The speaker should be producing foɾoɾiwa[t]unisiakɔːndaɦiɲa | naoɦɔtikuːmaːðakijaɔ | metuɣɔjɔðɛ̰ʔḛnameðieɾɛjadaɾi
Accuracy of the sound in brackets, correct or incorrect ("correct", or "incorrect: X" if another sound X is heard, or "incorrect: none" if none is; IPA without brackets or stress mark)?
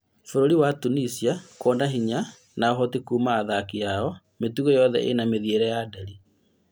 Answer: correct